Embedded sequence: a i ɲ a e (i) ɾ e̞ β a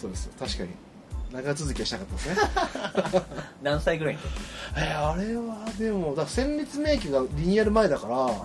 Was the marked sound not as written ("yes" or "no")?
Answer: yes